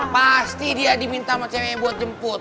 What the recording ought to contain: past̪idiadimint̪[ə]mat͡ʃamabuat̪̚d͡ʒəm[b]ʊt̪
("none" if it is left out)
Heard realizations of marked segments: a, p

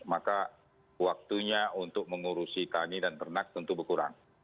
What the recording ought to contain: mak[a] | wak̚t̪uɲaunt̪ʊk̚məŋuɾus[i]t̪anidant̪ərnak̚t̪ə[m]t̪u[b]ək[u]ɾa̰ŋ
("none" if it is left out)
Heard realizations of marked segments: a, i, n, b, u

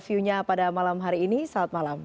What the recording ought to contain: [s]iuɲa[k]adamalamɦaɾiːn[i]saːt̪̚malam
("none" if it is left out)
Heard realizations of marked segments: f, p, i

